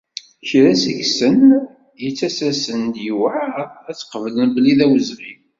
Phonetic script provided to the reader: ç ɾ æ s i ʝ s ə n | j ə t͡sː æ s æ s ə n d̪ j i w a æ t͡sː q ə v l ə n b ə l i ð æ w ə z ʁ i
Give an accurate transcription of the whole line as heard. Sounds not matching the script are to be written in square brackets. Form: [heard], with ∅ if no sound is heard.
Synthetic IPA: ç ɾ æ s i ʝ s ə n | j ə t͡sː æ s æ s ə n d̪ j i w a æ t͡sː q ə v l ə n b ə l i ð æ w ə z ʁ i